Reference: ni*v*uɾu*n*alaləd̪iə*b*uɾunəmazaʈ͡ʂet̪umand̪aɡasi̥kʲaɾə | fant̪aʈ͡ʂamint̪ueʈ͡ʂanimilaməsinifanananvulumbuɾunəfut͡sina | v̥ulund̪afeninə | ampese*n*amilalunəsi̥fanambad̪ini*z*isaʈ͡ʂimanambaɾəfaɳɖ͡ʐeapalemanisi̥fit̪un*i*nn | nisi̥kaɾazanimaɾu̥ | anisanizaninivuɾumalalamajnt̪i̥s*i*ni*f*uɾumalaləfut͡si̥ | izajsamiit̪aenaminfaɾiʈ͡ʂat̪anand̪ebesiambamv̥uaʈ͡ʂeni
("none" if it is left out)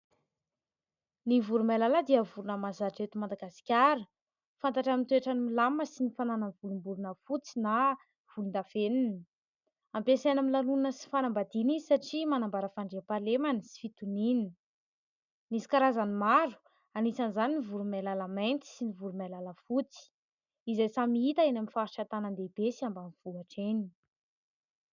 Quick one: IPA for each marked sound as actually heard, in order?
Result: v, m, v, n, z, i, i, v

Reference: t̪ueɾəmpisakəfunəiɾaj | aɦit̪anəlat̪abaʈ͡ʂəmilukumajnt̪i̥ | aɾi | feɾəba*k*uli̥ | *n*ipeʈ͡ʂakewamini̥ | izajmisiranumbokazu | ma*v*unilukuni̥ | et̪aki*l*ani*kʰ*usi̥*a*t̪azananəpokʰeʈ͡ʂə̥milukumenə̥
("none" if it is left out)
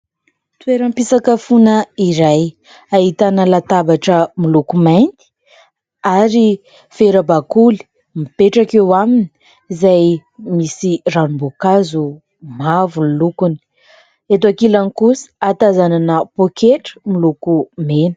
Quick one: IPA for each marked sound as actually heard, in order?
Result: k, m, v, l, k, a

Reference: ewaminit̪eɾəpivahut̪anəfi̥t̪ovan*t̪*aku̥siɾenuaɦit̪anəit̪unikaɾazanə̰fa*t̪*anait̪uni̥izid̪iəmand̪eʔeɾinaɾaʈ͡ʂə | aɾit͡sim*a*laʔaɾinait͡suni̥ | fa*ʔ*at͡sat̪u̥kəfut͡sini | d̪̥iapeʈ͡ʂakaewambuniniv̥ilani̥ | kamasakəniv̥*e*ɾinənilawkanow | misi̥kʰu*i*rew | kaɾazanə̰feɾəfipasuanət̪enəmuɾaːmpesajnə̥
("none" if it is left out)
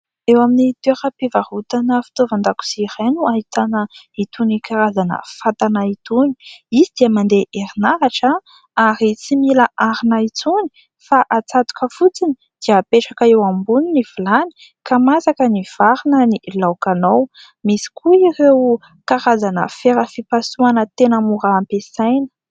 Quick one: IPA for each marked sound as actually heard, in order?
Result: d̪, t̪, i, ʔ, a, i

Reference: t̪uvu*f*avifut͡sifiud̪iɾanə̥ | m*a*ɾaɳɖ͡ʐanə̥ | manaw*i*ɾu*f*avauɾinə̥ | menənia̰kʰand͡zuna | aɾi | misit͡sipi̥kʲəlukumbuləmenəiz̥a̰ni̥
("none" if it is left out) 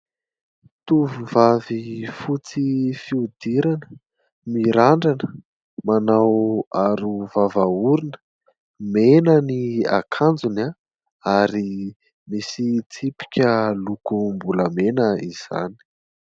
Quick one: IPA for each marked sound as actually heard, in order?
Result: v, i, a, v

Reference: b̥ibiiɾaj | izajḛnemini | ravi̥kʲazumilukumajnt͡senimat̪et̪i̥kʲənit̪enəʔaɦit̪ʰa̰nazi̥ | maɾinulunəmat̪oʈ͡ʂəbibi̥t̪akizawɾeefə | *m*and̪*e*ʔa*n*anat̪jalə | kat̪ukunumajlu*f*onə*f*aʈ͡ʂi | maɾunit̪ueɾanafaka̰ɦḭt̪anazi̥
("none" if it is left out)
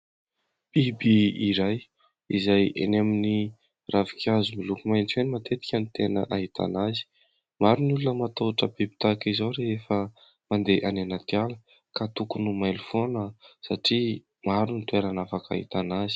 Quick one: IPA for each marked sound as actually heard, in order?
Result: m, e, n, f, s

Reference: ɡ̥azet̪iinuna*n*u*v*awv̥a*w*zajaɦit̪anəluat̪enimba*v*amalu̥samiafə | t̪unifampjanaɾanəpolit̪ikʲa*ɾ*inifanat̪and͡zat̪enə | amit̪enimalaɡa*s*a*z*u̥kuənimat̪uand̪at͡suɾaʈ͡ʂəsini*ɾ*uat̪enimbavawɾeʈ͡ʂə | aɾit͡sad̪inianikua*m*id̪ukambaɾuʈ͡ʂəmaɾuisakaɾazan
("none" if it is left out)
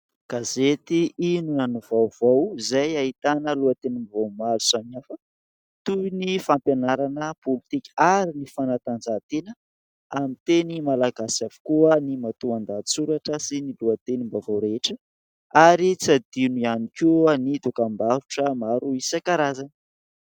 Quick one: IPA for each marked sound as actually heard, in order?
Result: n, v, w, v, ɾ, s, v, l, n

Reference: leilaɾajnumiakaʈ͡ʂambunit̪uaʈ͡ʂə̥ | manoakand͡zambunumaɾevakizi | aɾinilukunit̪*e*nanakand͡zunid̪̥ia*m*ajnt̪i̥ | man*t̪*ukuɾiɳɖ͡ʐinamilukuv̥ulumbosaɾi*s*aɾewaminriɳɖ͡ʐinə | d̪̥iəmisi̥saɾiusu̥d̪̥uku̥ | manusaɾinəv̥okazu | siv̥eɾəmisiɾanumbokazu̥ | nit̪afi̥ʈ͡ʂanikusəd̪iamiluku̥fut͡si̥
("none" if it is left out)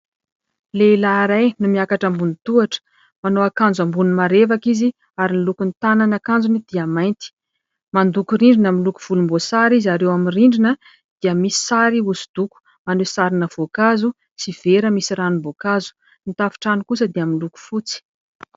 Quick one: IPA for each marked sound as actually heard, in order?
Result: a, m, d̪, z

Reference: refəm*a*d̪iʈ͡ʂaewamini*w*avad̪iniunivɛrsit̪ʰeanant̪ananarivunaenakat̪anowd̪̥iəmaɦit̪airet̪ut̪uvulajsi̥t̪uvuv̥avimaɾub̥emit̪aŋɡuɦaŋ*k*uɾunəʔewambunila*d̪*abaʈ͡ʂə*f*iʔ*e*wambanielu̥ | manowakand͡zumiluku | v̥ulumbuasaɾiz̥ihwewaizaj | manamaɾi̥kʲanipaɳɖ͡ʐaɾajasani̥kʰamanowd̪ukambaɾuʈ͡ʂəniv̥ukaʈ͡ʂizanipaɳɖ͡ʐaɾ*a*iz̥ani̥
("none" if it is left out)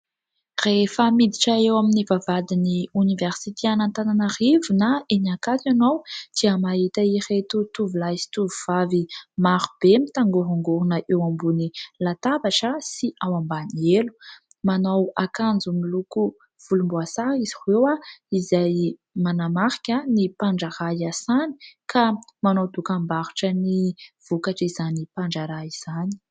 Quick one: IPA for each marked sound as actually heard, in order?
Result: i, v, ɡ, t̪, s, a, a

